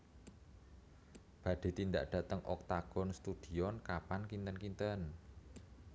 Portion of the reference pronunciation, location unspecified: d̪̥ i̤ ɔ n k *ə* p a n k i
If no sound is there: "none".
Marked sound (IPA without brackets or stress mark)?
a